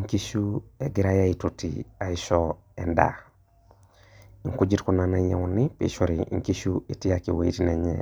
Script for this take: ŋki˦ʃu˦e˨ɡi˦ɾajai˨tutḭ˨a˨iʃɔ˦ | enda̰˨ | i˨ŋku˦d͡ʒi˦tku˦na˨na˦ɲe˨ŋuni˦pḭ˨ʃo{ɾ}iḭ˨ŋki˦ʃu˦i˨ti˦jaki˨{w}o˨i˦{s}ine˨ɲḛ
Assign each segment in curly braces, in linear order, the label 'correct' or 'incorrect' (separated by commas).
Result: correct, correct, incorrect